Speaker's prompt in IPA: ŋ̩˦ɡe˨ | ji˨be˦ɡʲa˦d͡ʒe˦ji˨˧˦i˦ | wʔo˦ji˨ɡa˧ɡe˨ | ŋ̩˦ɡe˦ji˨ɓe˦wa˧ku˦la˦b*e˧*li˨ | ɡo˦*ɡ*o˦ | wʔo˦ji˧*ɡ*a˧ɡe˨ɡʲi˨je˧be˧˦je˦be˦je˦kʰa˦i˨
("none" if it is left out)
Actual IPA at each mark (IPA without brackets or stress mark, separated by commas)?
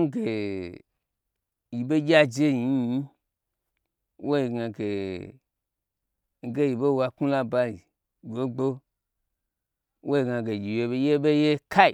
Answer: a˧, ɡ͡b, ɡ